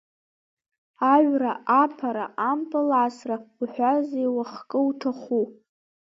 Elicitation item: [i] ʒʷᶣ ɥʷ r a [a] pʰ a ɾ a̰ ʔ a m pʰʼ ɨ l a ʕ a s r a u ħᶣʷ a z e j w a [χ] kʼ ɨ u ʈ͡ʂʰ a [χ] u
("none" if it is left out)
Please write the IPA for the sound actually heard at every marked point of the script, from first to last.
a, a, χ, χ

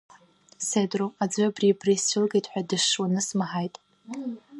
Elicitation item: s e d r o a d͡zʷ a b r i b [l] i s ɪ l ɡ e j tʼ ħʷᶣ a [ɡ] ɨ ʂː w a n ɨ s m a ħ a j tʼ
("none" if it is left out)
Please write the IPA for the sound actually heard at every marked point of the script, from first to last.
r, d

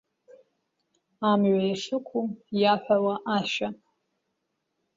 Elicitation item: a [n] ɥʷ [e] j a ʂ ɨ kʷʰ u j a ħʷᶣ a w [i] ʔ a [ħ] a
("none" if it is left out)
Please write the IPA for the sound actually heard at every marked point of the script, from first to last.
m, a, a, ʃ

